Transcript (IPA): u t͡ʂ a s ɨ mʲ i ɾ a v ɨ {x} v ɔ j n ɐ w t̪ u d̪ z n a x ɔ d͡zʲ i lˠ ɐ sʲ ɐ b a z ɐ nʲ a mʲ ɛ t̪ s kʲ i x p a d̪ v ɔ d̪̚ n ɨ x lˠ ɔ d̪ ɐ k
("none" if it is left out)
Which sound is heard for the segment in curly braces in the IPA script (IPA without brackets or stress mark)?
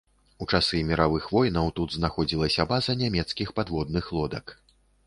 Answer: x